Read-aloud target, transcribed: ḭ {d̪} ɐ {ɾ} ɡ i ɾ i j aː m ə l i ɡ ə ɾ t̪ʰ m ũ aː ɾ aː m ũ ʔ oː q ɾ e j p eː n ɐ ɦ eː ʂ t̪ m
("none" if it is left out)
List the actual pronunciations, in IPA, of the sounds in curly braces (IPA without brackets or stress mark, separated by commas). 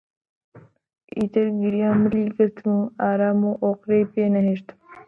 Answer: t̪, ɾ